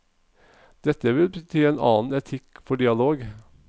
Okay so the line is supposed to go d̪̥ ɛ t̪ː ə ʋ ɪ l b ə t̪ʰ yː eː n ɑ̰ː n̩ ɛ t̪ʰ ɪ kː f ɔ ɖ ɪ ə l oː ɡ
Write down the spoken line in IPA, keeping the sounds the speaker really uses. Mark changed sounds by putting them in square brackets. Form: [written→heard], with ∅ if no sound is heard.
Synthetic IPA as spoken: d̪̥ ɛ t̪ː ə ʋ ɪ l b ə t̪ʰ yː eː n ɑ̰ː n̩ ɛ t̪ʰ ɪ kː f ɔ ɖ ɪ [ə→ɑ] l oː ɡ